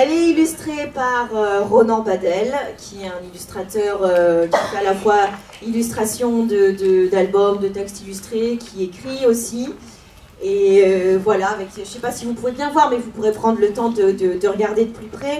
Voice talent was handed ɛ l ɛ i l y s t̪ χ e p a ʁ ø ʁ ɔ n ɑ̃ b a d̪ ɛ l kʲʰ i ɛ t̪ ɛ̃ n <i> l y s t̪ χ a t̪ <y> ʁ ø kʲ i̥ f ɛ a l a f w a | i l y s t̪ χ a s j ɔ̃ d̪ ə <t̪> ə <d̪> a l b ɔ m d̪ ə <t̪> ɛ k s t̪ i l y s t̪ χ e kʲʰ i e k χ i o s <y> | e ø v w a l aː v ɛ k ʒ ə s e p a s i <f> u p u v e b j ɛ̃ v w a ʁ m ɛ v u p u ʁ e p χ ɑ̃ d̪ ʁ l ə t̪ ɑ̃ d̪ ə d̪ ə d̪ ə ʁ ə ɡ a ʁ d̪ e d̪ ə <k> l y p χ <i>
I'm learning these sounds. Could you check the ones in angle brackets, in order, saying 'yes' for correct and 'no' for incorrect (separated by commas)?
yes, no, no, yes, yes, no, no, no, no